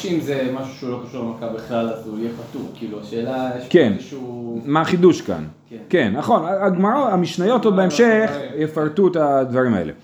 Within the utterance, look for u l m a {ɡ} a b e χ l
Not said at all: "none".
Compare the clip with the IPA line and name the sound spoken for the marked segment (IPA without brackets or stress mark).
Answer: k